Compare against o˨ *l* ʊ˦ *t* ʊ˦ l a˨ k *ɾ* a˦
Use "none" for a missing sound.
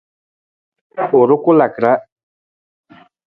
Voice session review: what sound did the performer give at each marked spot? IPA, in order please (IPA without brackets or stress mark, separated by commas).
ɾ, k, ɾ